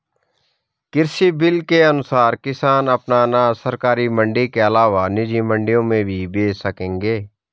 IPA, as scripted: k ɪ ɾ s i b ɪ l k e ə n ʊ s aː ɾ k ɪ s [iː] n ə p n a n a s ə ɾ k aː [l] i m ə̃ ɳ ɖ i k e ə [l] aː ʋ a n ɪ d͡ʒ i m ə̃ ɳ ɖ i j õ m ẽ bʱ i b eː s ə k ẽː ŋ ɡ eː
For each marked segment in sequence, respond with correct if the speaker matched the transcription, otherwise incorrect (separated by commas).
incorrect, incorrect, correct